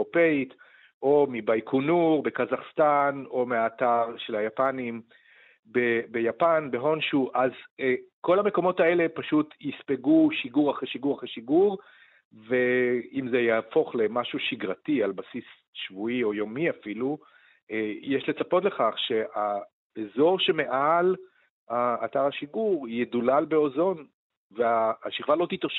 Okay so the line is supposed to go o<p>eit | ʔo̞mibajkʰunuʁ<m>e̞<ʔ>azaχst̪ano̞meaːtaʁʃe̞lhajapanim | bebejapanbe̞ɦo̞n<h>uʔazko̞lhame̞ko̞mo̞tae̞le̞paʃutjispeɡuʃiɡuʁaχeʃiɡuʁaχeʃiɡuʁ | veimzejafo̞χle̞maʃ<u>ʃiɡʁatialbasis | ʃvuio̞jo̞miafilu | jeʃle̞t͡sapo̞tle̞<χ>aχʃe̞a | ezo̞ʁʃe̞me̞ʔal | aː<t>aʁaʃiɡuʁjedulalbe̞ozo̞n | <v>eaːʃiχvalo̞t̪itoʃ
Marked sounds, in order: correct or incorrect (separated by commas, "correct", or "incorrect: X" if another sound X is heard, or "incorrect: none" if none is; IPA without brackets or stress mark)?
correct, incorrect: b, incorrect: k, incorrect: ʃ, correct, correct, correct, correct